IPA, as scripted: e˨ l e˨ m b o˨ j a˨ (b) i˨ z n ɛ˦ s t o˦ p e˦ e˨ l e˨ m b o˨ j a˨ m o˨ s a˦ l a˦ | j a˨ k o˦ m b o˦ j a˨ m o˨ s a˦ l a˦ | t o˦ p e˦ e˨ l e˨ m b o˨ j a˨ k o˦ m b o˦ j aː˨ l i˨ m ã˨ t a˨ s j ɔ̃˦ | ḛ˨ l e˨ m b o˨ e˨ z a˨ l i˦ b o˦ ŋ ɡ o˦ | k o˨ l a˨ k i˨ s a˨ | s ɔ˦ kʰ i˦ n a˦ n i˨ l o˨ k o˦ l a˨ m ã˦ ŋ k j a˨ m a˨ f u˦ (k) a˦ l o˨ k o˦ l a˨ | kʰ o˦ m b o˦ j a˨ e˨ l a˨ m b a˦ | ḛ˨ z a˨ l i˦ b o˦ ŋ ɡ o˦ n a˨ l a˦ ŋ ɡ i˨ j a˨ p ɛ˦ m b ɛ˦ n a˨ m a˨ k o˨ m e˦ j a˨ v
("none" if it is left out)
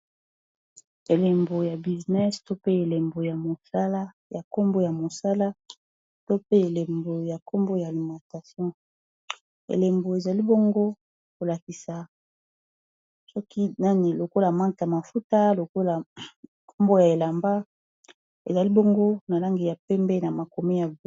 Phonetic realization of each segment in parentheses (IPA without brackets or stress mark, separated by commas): b, t